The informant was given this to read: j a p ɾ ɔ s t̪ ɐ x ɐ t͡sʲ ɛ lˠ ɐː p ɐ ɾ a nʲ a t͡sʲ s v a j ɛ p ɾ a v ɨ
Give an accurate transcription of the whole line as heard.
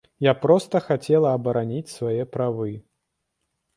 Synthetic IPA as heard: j a p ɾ ɔ s t̪ ɐ x a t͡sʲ ɛ lˠ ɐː b ɐ ɾ a nʲ i t͡sʲ s v a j ɛ p ɾ a v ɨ

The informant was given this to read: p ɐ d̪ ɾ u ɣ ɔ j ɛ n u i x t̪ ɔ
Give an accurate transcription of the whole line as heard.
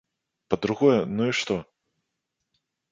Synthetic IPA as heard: p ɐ d̪ ɾ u ɣ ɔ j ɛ n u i ʂ t̪ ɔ

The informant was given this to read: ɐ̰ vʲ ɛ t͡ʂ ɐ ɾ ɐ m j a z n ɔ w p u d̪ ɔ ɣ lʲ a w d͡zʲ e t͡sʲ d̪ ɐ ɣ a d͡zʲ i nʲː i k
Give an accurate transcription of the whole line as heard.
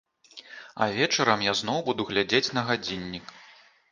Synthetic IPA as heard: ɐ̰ vʲ ɛ t͡ʂ ɐ ɾ ɐ m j a z n ɔ w b u d̪ u ɣ lʲ a d͡zʲ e t͡sʲ n̪ ɐ ɣ a d͡zʲ i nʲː i k

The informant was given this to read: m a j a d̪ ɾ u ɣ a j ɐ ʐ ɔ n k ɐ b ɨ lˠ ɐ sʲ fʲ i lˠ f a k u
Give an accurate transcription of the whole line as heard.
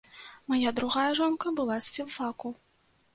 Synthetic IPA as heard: m a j a d̪ ɾ u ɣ a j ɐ ʐ ɔ n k ɐ b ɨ lˠ a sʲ fʲ i lˠ f a k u

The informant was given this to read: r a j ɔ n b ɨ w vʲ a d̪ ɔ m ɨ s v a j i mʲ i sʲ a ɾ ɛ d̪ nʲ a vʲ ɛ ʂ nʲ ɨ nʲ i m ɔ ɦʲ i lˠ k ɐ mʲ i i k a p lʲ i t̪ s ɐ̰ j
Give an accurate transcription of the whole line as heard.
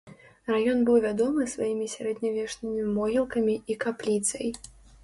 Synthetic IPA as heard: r a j ɔ n b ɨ w vʲ a d̪ ɔ m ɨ s v a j i mʲ i sʲ a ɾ ɛ d̪ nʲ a vʲ ɛ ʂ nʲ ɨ mʲ i m ɔ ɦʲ i lˠ k ɐ mʲ i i k a p lʲ i t̪ s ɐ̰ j

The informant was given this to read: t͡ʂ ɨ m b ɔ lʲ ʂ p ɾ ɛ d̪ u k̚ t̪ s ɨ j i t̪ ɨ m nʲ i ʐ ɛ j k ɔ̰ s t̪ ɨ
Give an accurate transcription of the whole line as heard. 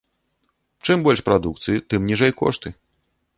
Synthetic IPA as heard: t͡ʂ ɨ m b ɔ lʲ ʂ p ɾ a d̪ u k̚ t̪ s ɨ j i t̪ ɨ m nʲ i ʐ ɛ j k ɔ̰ ʂ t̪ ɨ

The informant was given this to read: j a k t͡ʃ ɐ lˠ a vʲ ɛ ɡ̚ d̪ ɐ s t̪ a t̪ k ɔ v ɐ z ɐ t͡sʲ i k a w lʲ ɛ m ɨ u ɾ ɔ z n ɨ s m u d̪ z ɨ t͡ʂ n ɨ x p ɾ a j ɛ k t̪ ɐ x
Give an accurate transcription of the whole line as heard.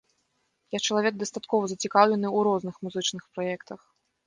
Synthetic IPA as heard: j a k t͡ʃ ɐ lˠ a vʲ ɛ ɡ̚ d̪ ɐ s t̪ a t̪ k ɔ v ɐ z ɐ t͡sʲ i k a w lʲ ɛ n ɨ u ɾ ɔ z n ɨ x m u z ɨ t͡ʂ n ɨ x p ɾ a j ɛ k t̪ ɐ x

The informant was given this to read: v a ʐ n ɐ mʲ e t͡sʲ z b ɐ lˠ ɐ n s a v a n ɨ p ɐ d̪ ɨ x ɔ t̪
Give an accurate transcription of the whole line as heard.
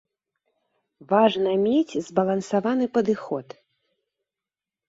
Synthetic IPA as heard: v a ʐ n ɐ mʲ e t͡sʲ z b ɐ lˠ ɐ n s a v a n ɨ p ɐ d̪ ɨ x ɔ t̪

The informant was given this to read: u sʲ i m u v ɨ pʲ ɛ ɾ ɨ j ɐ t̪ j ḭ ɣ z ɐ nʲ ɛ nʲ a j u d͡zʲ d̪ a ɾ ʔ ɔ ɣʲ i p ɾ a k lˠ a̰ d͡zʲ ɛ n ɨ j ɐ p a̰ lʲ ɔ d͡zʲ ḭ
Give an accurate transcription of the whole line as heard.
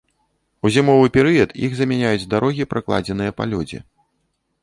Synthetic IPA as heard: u zʲ i m ɔ v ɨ pʲ ɛ ɾ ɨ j ɐ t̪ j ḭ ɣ z ɐ mʲ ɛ nʲ a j u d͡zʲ d̪ a ɾ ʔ ɔ ɣʲ i p ɾ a k lˠ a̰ d͡zʲ ɛ n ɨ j ɐ p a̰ lʲ ɔ d͡zʲ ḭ

